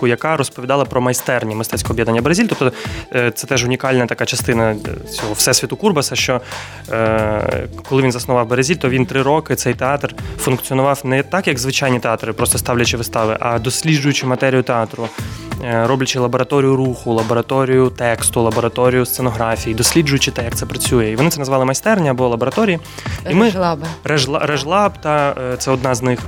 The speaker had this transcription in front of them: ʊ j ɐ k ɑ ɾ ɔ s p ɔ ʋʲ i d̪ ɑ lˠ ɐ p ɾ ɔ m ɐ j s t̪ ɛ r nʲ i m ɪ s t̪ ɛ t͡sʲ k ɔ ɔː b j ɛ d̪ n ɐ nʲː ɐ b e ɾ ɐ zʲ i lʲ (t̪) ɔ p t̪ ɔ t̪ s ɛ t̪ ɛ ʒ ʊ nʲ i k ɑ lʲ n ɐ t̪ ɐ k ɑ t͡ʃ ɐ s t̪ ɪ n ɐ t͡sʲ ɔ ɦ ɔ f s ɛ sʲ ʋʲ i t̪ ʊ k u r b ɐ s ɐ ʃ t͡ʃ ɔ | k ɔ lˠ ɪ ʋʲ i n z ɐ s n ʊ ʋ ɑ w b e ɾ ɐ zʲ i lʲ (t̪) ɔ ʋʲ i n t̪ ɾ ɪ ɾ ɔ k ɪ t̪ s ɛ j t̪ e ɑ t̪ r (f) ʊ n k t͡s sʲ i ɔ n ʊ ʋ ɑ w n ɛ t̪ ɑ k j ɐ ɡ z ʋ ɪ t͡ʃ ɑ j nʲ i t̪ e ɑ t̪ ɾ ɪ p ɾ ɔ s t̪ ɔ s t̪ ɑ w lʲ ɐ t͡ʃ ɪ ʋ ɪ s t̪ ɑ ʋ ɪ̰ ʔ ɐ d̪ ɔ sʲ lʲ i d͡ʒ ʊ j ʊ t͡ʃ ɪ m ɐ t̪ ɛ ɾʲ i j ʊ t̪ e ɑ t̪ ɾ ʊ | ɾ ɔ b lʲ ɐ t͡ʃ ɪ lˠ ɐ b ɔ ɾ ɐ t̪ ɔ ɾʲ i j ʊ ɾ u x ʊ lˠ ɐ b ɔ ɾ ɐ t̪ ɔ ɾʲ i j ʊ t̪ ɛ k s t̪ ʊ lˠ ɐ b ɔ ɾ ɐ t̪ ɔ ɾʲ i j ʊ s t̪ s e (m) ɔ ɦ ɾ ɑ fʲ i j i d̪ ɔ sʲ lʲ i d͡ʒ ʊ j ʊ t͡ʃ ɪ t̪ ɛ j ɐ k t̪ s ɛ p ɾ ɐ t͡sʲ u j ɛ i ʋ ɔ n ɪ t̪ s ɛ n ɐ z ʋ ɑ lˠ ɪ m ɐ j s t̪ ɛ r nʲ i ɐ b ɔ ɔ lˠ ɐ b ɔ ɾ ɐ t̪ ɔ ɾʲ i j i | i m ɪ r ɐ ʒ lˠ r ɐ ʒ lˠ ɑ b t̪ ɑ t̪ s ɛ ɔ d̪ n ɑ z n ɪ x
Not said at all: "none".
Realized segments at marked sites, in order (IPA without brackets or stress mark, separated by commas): t̪, t̪, f, n